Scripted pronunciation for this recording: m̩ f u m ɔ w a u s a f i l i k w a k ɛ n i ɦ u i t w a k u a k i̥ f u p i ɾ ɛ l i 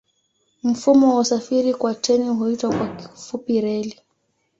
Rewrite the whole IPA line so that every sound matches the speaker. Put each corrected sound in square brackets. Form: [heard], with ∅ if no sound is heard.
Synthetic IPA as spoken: m̩ f u m ɔ w a u s a f i [ɾ] i k w a [t] ɛ n i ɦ u i t w a k [w] a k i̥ f u p i ɾ ɛ l i